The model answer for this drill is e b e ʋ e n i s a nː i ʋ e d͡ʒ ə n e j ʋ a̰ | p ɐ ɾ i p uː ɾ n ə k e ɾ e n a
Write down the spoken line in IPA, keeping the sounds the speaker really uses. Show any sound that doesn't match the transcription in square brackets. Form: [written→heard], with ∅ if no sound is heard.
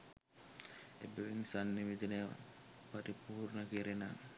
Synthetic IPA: e b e ʋ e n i s a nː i ʋ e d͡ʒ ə n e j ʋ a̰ | p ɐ ɾ i p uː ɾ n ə k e ɾ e n a